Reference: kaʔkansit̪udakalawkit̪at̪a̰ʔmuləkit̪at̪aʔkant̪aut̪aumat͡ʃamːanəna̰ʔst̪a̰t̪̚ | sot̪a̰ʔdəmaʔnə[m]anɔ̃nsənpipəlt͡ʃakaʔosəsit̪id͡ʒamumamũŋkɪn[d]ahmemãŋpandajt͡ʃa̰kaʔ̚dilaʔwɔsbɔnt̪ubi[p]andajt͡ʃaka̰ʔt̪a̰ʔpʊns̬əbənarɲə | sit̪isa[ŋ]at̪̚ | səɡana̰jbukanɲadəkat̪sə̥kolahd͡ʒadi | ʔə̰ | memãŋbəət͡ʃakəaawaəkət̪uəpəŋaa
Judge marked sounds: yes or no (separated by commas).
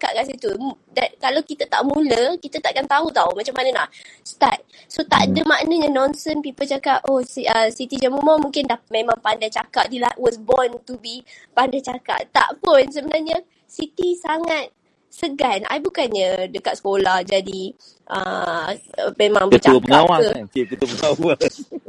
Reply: no, yes, yes, yes